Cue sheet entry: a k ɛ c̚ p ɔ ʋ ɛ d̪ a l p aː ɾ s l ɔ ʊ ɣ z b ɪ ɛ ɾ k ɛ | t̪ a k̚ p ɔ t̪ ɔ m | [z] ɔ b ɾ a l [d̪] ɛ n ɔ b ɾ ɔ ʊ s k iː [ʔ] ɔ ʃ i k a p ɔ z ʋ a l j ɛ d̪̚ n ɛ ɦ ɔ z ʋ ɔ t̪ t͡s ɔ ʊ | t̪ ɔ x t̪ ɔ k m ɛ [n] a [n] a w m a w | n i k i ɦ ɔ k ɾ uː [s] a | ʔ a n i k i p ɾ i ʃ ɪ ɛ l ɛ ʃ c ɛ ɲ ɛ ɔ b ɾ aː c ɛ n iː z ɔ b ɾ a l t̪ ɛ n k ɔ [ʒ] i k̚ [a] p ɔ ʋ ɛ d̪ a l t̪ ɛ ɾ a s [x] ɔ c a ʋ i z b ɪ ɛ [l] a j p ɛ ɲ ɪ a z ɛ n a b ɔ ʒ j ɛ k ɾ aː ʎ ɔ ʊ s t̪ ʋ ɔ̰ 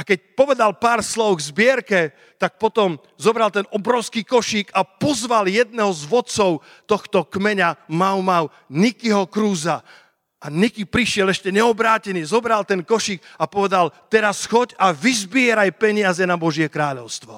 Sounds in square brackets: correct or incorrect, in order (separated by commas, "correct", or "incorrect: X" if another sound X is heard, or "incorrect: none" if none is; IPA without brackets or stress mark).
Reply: correct, incorrect: t̪, incorrect: k, incorrect: ɲ, incorrect: m, incorrect: z, incorrect: ʃ, correct, correct, incorrect: ɾ